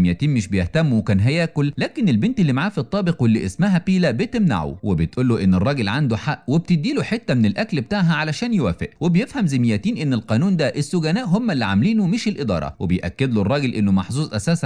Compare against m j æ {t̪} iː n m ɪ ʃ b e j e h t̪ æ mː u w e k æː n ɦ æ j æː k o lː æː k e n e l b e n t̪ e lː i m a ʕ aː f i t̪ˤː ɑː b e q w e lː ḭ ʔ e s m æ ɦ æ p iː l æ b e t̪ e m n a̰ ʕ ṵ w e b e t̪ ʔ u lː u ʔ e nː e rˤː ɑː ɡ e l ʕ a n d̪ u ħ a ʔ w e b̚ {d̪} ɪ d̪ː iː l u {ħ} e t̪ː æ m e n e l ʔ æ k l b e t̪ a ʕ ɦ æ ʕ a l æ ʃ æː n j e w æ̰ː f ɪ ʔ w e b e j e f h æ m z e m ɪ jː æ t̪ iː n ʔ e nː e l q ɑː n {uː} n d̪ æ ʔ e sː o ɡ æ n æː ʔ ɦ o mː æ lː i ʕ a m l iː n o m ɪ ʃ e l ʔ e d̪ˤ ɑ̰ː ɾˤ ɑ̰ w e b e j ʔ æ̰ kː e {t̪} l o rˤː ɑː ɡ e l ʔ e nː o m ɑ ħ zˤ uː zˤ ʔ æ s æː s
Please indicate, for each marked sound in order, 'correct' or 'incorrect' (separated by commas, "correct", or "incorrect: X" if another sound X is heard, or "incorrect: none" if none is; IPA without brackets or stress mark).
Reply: correct, incorrect: t̪, correct, correct, incorrect: d̪